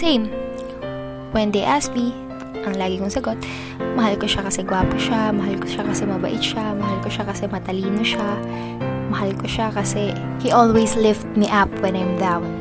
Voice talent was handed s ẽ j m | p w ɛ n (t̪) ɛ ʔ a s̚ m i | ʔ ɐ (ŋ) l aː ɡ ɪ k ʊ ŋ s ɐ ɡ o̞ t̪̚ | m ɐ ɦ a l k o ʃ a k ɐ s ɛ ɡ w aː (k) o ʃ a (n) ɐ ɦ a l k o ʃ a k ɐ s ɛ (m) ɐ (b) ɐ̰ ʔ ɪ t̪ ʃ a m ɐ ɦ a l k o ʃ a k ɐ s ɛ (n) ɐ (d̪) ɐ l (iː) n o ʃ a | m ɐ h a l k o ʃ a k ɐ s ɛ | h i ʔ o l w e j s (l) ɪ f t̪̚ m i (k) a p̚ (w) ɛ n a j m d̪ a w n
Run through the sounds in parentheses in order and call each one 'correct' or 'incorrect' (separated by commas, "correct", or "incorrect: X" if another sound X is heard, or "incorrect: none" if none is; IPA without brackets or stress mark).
incorrect: d̪, correct, incorrect: p, incorrect: m, correct, correct, incorrect: m, incorrect: t̪, correct, correct, incorrect: ʔ, correct